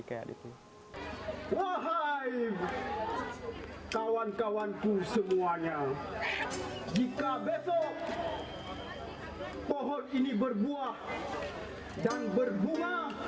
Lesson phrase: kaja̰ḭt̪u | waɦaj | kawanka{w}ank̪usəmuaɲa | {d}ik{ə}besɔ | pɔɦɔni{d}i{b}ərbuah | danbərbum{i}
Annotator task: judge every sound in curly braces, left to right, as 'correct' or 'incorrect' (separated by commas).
correct, incorrect, incorrect, incorrect, correct, incorrect